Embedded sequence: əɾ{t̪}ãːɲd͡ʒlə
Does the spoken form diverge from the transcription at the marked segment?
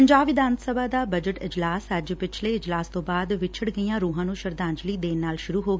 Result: yes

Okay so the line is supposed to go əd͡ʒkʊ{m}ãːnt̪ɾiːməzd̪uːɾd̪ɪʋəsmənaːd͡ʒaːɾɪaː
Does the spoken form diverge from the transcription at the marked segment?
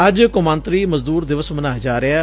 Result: no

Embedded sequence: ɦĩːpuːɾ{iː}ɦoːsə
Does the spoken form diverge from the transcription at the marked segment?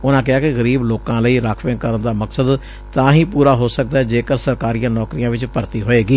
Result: yes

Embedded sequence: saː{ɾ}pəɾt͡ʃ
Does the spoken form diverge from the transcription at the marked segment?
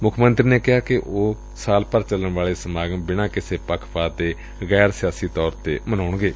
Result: yes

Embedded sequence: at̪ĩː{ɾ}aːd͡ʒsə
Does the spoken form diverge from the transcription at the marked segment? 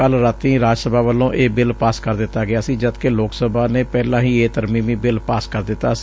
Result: no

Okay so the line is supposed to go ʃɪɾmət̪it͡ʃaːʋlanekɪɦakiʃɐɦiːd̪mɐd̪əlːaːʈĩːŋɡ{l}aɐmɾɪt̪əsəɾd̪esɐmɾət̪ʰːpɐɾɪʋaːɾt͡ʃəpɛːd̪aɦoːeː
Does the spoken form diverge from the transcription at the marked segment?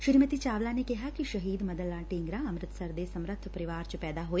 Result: yes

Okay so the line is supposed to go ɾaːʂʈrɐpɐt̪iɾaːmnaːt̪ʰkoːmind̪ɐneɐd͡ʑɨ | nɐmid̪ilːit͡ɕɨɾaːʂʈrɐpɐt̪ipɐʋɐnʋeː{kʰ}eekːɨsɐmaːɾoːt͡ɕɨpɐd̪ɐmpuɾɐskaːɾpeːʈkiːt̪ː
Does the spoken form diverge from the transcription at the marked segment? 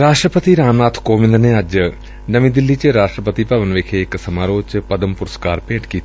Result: no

